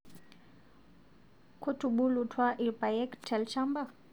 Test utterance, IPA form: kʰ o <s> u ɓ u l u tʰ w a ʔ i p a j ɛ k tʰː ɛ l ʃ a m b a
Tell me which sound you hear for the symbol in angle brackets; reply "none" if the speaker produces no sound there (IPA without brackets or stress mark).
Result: t